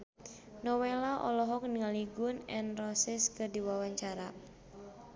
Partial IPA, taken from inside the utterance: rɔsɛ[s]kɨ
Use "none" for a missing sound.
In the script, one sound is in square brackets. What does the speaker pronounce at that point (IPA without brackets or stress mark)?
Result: s